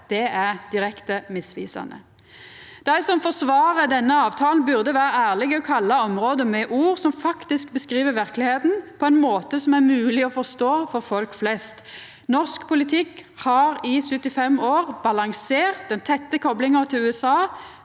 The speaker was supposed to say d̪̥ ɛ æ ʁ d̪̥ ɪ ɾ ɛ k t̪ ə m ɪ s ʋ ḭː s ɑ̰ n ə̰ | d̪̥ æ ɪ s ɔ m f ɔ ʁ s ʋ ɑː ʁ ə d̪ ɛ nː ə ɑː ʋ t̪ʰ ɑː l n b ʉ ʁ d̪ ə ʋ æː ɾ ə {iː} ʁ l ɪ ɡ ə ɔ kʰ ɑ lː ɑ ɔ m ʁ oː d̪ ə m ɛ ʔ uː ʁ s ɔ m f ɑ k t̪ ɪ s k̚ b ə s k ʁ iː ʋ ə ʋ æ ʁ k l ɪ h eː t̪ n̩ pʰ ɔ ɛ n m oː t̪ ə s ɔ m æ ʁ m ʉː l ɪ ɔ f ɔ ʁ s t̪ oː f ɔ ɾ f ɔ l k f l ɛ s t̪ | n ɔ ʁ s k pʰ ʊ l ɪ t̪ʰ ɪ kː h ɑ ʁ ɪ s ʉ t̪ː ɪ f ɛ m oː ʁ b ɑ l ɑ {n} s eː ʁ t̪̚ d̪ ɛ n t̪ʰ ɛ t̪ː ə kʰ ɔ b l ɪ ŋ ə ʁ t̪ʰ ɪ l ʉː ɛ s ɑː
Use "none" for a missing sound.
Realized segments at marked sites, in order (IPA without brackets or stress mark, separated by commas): æː, ŋ